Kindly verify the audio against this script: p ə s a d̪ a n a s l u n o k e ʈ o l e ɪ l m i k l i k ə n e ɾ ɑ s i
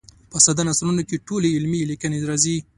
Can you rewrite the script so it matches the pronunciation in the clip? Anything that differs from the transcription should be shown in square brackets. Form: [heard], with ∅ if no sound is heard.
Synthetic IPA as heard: p ə s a d̪ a n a s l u n o k e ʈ o l e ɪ l m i [∅] l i k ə n e ɾ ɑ [z] i